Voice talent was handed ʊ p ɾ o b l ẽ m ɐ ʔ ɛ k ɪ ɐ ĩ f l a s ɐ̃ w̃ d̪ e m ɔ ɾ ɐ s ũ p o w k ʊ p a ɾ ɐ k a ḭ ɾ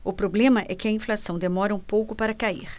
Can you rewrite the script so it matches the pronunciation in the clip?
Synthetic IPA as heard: ʊ p ɾ o b l ẽ m ɐ ʔ ɛ k ɪ ɐ ĩ f l a s ɐ̃ w̃ d̪ e m ɔ ɾ ɐ ũ p o w k ʊ p a ɾ ɐ k a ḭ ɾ